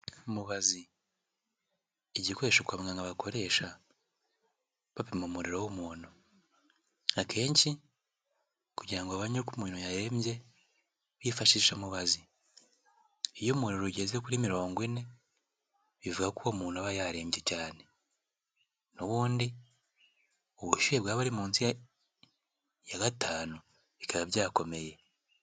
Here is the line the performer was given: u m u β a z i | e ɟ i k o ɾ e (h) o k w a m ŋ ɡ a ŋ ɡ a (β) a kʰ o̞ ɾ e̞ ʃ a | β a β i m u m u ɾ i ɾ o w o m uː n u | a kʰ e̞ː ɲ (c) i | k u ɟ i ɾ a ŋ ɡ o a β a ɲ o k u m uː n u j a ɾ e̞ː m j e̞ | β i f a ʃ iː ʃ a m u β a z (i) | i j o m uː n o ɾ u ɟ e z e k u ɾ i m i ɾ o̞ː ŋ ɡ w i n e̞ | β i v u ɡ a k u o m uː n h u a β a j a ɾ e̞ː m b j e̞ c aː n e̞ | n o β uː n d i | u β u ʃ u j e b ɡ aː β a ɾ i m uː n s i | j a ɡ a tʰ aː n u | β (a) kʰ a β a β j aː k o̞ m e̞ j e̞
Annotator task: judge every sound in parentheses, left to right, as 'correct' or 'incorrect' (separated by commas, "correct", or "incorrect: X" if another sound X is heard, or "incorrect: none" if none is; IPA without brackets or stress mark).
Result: incorrect: ʃ, correct, correct, correct, incorrect: i